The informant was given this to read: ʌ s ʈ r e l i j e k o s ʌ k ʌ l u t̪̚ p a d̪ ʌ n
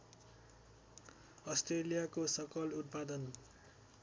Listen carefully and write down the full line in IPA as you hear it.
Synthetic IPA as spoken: ʌ s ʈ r e l i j a k o s ʌ k ʌ l u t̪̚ p a d̪ ʌ n